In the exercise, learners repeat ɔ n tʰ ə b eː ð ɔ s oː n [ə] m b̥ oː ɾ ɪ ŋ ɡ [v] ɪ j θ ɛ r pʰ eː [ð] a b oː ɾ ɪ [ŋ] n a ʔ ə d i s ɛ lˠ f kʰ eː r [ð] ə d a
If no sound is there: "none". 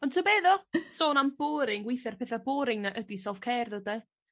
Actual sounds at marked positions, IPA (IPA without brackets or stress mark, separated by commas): a, w, θ, ŋ, ð